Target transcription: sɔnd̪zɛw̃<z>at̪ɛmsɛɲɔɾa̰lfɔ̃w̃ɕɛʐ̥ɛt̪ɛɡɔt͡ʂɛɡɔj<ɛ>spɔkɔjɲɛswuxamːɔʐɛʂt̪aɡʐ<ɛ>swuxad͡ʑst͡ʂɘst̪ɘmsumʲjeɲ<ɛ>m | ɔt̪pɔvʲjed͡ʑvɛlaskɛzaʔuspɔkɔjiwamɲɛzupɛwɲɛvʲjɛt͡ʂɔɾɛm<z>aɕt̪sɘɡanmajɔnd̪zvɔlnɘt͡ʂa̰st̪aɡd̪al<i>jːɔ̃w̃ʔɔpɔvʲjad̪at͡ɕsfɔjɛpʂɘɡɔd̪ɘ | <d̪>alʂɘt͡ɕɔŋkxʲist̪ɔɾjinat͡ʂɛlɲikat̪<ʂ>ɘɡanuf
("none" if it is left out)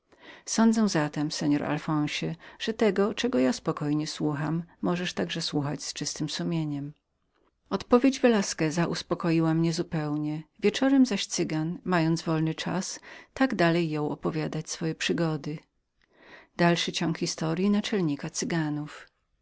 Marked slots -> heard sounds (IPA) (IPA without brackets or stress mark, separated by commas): z, a, ɛ, ɛ, z, ɛ, d̪, s